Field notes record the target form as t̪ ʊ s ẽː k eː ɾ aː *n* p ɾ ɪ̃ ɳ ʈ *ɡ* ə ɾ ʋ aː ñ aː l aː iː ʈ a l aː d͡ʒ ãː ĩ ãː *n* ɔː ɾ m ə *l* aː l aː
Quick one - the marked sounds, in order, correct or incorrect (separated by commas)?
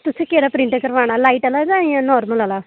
incorrect, incorrect, correct, correct